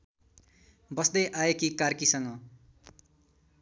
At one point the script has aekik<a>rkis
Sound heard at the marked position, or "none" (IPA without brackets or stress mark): a